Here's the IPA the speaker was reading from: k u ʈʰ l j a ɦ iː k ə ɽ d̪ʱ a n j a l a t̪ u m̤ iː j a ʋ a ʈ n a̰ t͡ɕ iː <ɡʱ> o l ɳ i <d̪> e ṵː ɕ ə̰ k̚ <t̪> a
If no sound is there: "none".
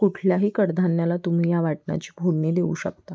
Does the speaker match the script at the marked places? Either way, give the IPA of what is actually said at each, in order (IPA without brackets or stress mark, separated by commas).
bʱ, d̪, t̪